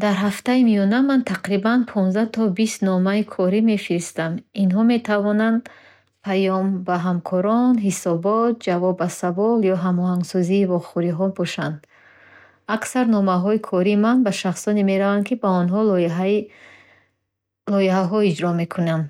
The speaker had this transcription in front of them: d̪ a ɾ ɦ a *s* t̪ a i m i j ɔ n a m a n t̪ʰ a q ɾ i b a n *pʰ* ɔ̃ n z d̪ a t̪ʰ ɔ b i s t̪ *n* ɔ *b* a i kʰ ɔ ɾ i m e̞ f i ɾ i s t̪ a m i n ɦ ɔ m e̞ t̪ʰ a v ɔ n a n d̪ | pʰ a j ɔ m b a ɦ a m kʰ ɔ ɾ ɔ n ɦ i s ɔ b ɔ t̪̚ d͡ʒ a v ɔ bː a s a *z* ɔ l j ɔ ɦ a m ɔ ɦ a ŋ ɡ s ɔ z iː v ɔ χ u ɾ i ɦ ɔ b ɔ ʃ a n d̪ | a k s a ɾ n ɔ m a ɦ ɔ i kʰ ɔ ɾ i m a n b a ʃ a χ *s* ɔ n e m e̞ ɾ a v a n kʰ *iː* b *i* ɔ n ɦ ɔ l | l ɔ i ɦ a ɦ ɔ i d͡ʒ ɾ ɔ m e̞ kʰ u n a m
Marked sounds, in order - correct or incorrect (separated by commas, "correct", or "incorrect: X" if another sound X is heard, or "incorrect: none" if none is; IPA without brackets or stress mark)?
incorrect: f, correct, correct, incorrect: m, incorrect: v, correct, incorrect: i, incorrect: a